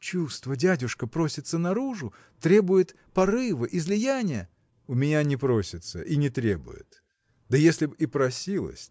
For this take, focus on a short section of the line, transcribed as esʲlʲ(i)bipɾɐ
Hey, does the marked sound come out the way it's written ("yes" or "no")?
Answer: no